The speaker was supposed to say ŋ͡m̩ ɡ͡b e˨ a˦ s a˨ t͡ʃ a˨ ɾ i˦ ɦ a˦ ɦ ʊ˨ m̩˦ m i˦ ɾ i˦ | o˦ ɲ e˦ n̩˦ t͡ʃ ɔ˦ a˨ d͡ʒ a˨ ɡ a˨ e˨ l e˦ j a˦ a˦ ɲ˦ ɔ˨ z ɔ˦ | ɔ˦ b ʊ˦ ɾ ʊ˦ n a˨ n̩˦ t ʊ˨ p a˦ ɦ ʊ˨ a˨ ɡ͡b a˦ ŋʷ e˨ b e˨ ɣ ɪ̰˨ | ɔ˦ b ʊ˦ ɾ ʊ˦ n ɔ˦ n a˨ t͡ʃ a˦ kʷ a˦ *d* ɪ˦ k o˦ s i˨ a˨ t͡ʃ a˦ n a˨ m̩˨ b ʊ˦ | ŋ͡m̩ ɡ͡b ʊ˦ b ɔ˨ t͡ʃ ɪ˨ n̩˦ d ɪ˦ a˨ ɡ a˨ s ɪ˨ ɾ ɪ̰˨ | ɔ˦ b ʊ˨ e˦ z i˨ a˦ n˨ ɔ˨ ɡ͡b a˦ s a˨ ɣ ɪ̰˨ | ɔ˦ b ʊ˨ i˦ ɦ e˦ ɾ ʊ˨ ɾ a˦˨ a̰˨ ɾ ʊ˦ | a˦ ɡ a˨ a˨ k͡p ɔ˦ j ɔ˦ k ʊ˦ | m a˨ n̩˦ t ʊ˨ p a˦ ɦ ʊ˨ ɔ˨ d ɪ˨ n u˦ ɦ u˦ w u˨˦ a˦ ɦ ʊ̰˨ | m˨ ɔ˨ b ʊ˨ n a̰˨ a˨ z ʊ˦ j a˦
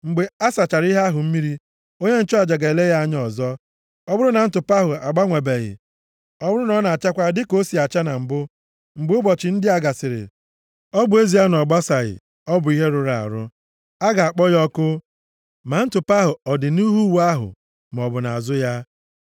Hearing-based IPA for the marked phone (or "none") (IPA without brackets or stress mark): d